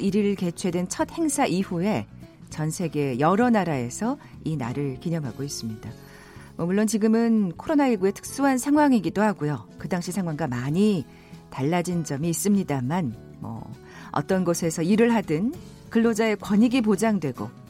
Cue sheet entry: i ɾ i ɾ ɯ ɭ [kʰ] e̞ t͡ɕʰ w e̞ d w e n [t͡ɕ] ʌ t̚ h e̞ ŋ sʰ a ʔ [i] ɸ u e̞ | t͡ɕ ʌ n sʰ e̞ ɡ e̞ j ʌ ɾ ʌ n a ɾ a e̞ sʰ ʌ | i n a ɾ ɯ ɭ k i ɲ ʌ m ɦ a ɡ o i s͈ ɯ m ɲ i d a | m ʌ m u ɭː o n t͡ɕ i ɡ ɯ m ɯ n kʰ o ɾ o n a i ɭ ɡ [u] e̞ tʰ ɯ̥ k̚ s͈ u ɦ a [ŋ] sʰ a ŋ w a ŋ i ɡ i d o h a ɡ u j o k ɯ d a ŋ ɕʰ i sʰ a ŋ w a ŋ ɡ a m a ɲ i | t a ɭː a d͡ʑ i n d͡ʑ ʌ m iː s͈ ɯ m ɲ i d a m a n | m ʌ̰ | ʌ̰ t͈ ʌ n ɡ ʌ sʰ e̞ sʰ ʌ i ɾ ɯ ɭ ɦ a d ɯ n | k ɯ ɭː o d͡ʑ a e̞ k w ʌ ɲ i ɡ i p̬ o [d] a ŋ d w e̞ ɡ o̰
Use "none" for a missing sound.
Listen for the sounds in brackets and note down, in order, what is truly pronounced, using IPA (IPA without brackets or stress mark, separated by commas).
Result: k, t͡ɕʰ, i, u, n, d͡ʑ